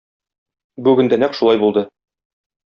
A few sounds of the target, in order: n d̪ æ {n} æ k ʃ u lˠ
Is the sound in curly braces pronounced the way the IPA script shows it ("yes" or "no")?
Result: yes